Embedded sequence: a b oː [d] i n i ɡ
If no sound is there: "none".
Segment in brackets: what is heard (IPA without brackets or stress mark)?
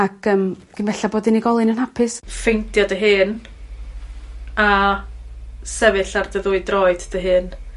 d